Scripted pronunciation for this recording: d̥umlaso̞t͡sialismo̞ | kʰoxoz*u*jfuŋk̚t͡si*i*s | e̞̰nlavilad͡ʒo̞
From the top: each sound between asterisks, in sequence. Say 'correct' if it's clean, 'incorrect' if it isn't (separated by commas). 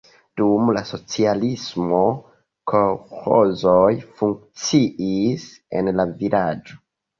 incorrect, correct